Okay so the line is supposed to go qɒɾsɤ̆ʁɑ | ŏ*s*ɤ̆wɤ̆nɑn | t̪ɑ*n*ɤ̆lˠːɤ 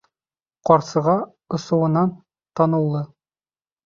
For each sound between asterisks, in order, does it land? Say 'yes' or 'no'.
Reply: yes, yes

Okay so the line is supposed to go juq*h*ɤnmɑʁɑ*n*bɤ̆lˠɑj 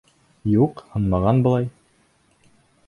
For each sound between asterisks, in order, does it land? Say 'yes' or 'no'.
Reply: yes, yes

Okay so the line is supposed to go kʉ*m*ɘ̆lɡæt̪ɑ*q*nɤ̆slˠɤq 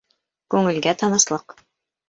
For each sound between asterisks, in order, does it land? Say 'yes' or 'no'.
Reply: no, no

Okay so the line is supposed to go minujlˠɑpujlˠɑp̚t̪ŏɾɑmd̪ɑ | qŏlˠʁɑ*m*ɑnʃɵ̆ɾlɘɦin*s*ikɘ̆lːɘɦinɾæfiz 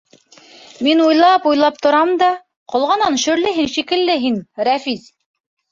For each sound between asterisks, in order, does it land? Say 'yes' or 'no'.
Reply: no, no

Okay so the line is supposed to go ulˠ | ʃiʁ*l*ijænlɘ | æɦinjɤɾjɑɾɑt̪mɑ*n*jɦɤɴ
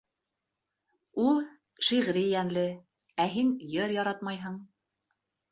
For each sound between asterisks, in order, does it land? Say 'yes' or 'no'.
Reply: no, no

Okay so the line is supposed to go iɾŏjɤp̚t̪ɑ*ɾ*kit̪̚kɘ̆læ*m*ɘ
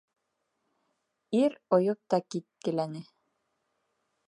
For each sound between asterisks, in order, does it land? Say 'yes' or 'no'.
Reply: no, no

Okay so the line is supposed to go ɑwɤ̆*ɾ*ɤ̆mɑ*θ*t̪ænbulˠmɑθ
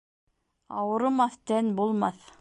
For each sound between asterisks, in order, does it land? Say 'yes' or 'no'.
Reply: yes, yes

